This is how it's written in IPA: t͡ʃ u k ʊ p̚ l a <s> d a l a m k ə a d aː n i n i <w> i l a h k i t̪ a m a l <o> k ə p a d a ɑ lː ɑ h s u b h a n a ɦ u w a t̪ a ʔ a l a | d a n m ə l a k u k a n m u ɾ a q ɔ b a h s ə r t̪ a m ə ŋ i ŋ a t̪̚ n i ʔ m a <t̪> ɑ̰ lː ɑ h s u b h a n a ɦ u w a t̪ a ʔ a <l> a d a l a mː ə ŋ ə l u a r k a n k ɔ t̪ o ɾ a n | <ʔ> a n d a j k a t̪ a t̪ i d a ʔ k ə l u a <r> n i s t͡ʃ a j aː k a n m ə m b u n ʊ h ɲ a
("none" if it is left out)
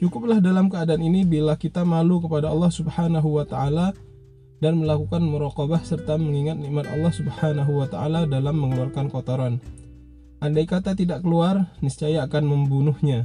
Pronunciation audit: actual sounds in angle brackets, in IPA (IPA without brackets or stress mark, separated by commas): h, b, u, t̪, l, ʔ, r